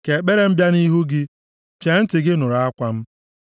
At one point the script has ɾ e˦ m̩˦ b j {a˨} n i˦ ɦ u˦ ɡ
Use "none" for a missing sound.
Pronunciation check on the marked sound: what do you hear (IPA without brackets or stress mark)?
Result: a˦